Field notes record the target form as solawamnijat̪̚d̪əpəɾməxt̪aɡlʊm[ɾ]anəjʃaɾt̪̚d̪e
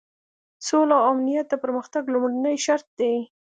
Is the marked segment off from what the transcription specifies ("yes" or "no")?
yes